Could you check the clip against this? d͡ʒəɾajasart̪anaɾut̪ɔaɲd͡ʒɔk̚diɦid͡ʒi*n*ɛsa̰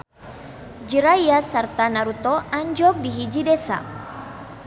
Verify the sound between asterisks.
incorrect: d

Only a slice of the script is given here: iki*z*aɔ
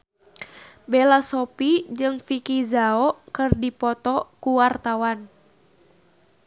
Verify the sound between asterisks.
correct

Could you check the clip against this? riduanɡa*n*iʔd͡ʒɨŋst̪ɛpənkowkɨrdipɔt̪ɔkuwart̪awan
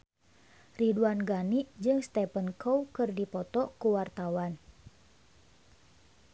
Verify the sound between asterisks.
correct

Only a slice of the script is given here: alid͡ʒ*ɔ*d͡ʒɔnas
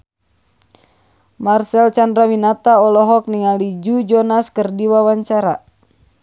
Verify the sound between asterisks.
incorrect: u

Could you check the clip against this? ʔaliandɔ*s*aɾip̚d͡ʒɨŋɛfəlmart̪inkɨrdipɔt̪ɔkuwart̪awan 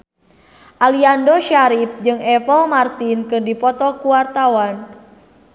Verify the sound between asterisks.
incorrect: ʃ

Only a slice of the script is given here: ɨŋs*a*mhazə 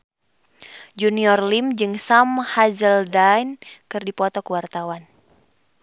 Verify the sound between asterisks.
correct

